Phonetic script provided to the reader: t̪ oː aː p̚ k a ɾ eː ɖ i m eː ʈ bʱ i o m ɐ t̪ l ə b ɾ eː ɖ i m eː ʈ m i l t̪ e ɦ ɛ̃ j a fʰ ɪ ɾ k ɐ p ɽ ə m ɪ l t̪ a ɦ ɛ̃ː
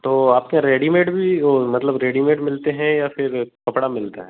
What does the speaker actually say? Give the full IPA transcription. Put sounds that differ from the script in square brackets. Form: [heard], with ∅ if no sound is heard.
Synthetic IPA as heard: t̪ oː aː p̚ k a ɾ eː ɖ i m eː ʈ bʱ i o m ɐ t̪ l ə b ɾ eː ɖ i m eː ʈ m [ɪ] l t̪ e ɦ ɛ̃ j a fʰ ɪ ɾ k ɐ p ɽ [a] m ɪ l t̪ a ɦ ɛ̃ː